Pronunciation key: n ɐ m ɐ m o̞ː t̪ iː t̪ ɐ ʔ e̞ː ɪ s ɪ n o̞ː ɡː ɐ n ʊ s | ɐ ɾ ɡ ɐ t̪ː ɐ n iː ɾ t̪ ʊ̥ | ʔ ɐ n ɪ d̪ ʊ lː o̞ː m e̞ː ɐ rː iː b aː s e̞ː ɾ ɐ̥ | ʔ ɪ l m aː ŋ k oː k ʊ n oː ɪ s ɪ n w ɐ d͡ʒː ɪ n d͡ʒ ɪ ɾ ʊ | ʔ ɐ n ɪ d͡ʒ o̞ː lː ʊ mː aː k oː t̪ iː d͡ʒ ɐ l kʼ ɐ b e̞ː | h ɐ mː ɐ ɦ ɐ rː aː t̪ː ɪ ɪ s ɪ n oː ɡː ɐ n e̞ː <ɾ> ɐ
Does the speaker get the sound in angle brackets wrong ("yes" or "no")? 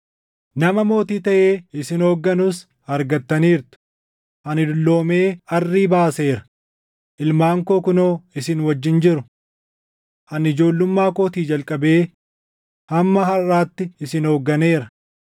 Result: no